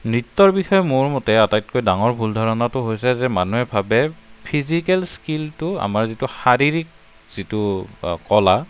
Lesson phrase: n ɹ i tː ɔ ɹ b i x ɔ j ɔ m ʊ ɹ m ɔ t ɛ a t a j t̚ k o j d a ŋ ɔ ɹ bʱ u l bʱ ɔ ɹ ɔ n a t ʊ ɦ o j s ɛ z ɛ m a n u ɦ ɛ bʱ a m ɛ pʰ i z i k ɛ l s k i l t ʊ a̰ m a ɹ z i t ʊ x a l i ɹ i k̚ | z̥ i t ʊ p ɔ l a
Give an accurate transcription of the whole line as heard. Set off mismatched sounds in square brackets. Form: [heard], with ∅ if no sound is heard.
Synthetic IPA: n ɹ i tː ɔ ɹ b i x ɔ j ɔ m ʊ ɹ m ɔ t ɛ a t a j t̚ k o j d a ŋ ɔ ɹ bʱ u l [dʱ] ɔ ɹ ɔ n a t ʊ ɦ o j s ɛ z ɛ m a n u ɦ ɛ bʱ a [b] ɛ pʰ i z i k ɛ l s k i l t ʊ a̰ m a ɹ z i t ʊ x a [ɹ] i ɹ i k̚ | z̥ i t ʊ [k] ɔ l a

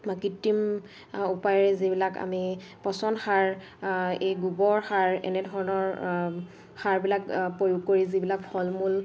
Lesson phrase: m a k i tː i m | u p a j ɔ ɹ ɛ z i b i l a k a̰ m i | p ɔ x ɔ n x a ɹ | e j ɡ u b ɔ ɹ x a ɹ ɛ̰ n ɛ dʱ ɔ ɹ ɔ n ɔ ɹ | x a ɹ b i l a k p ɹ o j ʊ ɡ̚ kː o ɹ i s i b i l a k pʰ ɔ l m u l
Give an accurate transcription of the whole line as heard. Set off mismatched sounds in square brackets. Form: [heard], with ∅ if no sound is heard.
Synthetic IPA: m a k i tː i m | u p a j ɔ ɹ ɛ z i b i l a k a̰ m i | p ɔ [s] ɔ n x a ɹ | e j ɡ u b ɔ ɹ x a ɹ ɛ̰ n ɛ dʱ ɔ ɹ ɔ n ɔ ɹ | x a ɹ b i l a k p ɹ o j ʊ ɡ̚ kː o ɹ i [z] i b i l a k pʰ ɔ l m u l

